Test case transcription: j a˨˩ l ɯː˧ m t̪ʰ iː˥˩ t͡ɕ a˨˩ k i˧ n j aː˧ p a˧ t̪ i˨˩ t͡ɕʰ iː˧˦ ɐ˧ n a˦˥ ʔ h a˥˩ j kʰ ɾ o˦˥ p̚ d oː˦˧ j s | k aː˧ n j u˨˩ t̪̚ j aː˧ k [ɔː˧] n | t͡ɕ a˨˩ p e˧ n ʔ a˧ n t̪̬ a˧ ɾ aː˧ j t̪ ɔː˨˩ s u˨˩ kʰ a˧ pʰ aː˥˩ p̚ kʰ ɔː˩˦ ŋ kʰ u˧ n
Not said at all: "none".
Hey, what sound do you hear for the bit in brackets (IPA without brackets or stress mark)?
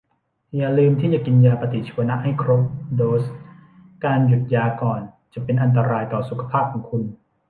ɔː˨˩